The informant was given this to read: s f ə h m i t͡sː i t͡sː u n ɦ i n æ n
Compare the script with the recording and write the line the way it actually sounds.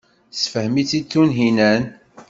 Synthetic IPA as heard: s f ə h m i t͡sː i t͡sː u n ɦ i n æ n

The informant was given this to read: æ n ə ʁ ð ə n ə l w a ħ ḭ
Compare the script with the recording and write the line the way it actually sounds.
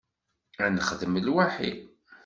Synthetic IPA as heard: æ n ə χ ð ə m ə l w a ħ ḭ

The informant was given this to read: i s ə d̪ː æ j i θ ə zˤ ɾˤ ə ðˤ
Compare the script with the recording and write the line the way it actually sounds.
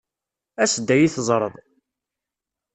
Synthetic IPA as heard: æ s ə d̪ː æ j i θ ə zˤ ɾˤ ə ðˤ

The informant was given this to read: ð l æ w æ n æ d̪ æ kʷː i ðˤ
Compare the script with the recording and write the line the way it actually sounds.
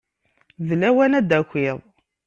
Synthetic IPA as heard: ð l æ w æ n æ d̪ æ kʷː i ðˤ

